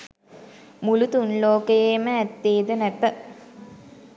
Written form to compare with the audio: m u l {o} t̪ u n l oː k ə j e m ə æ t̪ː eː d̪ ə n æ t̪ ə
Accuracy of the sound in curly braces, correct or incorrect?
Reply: incorrect